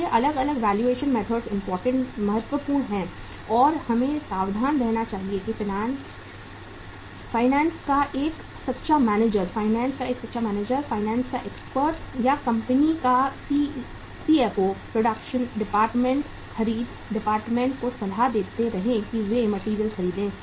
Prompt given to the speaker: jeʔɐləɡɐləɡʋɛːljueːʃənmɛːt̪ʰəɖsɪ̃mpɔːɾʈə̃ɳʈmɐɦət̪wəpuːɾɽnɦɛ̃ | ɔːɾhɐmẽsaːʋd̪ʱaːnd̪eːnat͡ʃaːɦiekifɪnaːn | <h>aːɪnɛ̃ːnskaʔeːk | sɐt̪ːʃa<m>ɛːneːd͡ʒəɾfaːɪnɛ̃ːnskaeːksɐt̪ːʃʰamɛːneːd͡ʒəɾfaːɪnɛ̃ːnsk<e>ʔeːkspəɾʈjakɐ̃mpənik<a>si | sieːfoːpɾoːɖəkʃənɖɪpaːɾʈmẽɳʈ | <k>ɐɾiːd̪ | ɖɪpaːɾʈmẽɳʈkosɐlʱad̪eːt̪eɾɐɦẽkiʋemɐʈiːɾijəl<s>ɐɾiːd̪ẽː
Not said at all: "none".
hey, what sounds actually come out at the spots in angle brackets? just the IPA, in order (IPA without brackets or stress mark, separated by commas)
f, m, a, a, x, x